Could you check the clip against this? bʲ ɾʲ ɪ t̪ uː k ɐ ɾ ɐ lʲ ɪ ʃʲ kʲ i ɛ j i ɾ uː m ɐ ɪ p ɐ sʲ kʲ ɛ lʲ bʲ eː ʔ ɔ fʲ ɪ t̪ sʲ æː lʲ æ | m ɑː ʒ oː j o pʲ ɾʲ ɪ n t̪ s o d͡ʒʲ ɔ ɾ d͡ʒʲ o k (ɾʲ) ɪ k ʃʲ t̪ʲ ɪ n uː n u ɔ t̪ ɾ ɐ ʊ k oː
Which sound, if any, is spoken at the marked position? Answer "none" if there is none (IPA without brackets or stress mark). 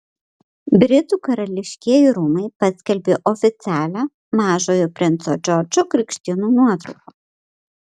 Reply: ɾʲ